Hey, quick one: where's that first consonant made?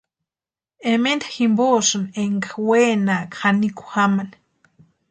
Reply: lips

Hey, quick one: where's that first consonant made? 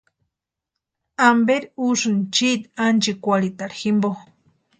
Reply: lips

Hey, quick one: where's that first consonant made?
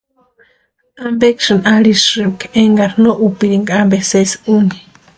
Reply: lips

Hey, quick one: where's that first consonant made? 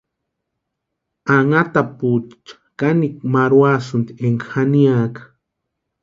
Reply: velum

